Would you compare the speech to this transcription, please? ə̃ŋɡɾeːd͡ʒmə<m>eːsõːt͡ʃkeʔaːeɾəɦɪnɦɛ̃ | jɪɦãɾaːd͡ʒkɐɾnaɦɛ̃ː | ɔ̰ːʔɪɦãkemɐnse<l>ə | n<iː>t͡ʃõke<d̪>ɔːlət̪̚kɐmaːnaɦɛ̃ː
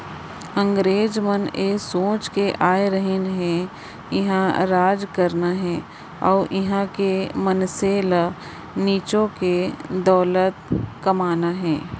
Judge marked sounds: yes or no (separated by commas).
no, yes, yes, yes